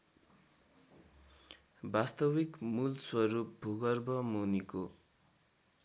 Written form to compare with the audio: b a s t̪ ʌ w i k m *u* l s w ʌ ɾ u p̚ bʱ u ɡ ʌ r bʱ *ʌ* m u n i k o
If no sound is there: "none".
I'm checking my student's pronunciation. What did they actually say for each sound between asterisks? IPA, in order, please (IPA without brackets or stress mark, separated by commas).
u, ʌ